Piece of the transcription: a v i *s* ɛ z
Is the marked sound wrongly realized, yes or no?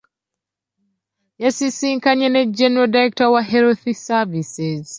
no